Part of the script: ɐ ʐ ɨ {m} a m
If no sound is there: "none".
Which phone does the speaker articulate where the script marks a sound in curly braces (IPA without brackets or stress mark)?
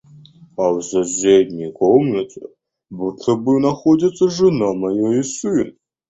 n